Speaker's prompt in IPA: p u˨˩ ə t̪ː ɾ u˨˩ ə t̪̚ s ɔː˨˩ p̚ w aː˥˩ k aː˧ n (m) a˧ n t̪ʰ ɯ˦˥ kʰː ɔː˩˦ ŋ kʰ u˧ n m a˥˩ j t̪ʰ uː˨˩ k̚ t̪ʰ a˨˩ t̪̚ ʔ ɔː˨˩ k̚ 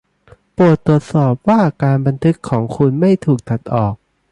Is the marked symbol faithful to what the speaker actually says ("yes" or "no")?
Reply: no